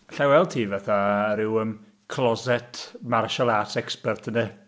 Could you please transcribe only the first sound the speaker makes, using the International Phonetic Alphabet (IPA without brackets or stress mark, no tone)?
ɬ